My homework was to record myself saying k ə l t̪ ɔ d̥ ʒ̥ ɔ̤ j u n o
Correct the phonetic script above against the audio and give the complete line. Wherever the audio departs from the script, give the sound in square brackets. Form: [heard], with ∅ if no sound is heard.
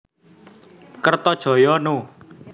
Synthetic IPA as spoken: k ə [r] t̪ ɔ d̥ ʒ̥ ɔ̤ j [ɔ] n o